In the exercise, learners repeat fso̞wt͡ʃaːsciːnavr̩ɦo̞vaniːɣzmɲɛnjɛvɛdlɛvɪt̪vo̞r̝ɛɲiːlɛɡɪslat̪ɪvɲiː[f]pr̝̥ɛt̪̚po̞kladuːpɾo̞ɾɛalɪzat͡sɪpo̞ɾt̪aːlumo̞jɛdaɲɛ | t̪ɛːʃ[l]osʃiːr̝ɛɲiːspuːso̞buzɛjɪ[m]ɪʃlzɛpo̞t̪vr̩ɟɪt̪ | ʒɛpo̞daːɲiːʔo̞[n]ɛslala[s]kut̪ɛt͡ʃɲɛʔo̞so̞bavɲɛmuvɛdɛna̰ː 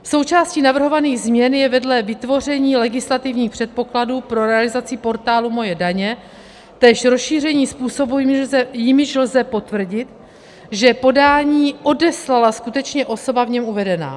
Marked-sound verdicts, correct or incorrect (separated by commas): incorrect, incorrect, correct, incorrect, correct